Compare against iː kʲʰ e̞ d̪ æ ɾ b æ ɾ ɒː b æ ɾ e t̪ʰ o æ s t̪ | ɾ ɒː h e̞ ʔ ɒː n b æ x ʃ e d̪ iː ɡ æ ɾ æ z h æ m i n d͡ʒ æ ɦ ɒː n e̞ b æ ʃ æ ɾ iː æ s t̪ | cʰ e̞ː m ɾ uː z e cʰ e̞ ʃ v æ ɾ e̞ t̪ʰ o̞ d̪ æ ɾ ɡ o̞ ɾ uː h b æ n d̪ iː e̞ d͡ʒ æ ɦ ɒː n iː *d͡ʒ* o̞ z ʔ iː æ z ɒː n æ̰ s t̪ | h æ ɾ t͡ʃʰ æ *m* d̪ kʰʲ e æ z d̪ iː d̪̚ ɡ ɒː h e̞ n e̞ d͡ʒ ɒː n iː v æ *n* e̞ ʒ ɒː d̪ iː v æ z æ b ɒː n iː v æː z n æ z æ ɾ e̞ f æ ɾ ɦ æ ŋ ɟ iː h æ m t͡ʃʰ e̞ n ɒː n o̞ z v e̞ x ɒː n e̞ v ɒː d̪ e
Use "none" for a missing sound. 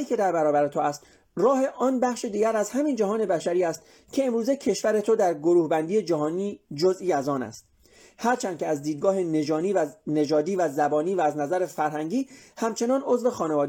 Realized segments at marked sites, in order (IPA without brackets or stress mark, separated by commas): d͡ʒ, n, n